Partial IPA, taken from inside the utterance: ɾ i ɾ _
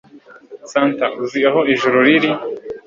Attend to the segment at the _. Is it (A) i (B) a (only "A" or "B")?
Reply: A